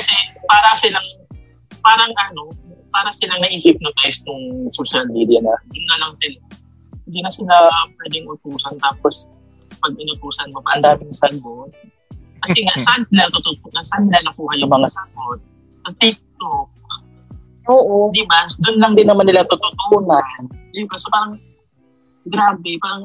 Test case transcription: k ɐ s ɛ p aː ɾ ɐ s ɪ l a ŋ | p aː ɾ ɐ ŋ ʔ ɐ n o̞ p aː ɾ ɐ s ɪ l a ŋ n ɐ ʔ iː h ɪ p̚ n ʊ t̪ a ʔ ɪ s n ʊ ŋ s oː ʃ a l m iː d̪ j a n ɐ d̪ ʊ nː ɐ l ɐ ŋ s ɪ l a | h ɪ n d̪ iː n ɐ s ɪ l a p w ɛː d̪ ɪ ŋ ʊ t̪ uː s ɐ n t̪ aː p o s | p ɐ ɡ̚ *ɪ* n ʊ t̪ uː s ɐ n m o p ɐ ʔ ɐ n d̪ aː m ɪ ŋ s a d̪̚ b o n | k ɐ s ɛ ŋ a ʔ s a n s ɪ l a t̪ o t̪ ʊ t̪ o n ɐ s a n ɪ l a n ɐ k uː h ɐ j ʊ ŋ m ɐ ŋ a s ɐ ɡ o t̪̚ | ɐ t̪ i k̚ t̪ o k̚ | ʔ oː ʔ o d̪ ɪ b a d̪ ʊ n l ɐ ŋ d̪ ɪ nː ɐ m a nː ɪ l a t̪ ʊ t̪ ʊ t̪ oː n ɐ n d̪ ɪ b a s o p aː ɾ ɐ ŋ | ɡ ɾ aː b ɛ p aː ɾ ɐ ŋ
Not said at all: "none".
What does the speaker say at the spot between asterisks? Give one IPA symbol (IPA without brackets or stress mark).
ɪ